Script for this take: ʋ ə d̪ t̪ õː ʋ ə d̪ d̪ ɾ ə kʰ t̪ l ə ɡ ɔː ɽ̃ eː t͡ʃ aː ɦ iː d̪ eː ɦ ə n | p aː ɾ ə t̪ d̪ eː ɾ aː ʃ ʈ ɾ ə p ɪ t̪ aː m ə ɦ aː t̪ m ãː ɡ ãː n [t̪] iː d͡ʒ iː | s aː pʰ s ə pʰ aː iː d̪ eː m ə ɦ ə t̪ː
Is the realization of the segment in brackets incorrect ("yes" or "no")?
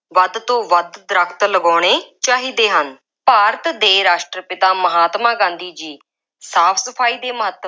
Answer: yes